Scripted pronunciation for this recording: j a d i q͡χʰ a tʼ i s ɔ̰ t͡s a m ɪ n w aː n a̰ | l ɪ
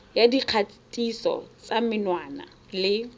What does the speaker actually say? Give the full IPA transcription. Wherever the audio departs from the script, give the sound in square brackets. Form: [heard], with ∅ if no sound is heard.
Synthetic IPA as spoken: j a d i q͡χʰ a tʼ i s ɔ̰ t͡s a m ɪ n w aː n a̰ | l ɪ